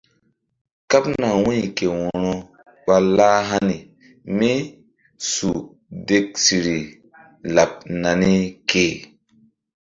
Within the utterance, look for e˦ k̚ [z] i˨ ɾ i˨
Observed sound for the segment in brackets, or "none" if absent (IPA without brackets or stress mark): s